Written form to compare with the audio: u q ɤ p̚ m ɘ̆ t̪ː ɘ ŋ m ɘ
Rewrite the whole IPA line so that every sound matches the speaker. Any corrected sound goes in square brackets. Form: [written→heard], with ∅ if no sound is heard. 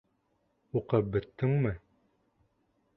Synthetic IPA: u q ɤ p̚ [m→b] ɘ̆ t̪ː ɘ ŋ m ɘ

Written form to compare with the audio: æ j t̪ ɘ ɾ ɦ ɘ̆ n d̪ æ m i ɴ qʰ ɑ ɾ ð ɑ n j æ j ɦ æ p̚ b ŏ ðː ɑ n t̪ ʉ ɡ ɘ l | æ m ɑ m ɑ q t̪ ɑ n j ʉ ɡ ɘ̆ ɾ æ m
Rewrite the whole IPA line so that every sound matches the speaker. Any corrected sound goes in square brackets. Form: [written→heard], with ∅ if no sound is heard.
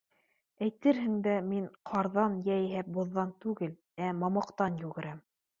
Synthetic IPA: æ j t̪ ɘ ɾ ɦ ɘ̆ [n→ŋ] d̪ æ m i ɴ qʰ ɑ ɾ ð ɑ n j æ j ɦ æ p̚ b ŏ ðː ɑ n t̪ ʉ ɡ ɘ l | æ m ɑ m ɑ q t̪ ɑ n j ʉ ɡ ɘ̆ ɾ æ m

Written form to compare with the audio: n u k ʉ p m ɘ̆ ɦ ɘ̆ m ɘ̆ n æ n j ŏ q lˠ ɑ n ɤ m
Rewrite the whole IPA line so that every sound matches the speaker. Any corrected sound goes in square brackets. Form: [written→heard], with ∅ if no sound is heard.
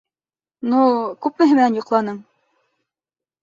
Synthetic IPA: n u k ʉ p m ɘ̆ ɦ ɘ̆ m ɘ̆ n æ n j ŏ q lˠ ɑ n ɤ m

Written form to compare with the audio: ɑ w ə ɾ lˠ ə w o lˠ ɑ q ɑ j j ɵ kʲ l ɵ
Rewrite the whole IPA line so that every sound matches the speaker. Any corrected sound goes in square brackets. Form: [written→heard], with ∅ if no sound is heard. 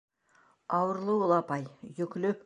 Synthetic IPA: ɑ w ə ɾ lˠ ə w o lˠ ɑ [q→p] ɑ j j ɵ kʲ l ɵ

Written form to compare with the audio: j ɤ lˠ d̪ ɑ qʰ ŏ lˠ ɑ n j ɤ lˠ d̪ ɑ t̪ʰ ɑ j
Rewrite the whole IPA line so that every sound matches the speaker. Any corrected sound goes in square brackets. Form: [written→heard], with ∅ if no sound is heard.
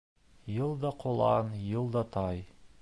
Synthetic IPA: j ɤ lˠ d̪ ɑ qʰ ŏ lˠ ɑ n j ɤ lˠ d̪ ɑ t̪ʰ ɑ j

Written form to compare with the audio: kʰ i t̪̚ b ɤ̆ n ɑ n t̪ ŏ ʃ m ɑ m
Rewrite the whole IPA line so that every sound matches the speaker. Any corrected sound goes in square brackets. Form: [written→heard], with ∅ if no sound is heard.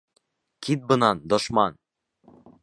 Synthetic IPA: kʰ i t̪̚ b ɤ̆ n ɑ n [t̪→d̪] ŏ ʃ m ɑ [m→n]

